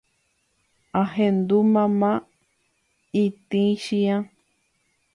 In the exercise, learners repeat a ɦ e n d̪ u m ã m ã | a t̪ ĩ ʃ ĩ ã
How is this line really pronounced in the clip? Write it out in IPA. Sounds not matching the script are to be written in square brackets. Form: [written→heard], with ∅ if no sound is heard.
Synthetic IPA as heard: a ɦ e n d̪ u m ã m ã | [a→i] t̪ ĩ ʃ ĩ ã